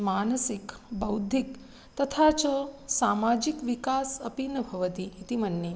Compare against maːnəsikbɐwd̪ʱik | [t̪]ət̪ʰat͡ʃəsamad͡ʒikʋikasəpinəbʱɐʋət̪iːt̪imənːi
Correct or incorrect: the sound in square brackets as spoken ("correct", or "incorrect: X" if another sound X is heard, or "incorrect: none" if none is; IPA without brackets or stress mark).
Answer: correct